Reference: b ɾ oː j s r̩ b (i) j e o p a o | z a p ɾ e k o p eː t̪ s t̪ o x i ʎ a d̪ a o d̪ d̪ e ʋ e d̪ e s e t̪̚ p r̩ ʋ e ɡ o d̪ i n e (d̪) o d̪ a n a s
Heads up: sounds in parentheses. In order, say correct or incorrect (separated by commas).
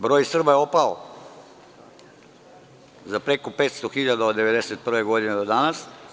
incorrect, correct